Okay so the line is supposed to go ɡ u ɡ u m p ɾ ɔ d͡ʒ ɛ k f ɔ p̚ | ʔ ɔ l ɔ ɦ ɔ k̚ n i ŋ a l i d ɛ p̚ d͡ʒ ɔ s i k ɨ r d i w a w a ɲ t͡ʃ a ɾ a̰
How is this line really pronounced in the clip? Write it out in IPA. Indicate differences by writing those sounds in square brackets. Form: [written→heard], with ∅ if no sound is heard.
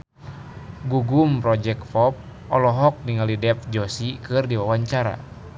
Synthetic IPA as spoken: ɡ u ɡ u m p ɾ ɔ d͡ʒ ɛ k f ɔ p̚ | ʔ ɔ l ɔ ɦ ɔ k̚ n i ŋ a l i d ɛ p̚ d͡ʒ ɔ s i k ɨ r d i w a w a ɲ t͡ʃ a ɾ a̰